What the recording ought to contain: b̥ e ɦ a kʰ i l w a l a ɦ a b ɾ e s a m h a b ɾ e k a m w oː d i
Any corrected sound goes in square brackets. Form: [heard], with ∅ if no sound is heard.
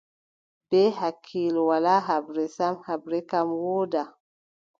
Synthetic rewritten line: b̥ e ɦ a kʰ i l w a l a ɦ a b ɾ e s a m h a b ɾ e k a m w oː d [a]